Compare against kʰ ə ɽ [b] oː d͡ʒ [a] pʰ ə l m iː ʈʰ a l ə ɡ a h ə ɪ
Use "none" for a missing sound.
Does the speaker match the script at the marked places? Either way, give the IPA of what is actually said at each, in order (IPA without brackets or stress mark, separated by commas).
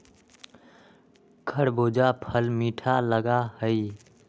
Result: b, a